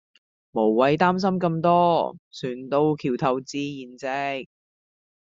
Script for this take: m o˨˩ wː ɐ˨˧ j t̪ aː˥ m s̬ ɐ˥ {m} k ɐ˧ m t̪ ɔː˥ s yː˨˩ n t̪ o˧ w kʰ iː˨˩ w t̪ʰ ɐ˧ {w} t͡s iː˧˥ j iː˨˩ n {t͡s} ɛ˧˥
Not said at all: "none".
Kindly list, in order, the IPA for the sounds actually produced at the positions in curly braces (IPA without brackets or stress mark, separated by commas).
m, w, t͡s